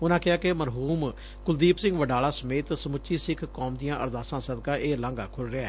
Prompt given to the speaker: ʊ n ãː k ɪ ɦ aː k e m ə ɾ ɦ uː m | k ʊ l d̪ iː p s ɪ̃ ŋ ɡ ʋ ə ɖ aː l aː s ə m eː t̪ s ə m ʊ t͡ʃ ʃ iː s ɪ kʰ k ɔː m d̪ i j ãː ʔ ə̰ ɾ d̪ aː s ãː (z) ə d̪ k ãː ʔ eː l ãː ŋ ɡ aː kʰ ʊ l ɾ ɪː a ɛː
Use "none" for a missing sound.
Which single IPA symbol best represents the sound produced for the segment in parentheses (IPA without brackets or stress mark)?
s